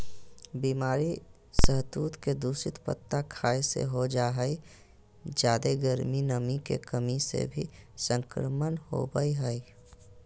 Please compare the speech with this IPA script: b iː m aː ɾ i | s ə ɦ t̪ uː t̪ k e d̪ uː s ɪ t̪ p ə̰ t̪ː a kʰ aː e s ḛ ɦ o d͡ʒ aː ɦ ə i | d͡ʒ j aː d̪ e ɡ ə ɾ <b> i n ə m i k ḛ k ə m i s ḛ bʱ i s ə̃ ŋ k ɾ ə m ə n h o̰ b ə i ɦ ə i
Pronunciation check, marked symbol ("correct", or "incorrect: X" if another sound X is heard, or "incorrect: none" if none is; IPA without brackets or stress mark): incorrect: m